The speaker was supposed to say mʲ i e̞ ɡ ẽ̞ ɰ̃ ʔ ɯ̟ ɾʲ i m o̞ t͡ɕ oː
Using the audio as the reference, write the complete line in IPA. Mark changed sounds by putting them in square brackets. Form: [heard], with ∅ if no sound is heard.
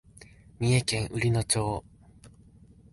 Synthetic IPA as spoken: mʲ i e̞ [k] ẽ̞ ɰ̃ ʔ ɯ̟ ɾʲ i [n] o̞ t͡ɕ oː